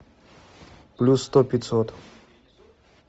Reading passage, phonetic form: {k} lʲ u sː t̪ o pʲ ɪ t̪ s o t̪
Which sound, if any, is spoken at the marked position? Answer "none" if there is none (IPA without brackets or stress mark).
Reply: p